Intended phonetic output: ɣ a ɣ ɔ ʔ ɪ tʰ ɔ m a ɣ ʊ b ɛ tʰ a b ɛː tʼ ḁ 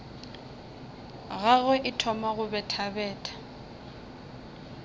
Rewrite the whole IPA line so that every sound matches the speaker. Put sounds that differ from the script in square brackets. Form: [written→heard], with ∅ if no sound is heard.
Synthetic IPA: ɣ a ɣ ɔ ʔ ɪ tʰ ɔ m a ɣ ʊ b ɛ tʰ a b ɛː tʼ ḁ